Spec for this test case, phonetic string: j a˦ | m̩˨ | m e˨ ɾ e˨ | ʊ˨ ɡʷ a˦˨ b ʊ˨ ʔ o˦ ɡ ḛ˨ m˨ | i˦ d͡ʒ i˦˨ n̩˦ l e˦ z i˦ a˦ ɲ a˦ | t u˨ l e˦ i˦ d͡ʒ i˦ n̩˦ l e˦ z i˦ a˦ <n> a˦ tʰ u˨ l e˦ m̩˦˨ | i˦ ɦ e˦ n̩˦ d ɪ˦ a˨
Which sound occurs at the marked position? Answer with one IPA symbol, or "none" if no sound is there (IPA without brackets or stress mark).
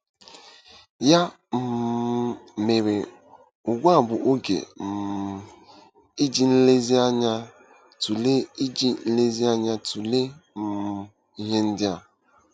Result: ɲ